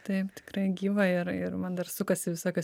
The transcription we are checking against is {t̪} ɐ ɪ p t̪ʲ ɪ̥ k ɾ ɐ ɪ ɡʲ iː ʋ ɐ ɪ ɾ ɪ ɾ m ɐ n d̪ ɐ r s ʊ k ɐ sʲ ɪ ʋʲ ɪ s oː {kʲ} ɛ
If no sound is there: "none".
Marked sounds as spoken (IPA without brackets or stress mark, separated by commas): t̪, kʲ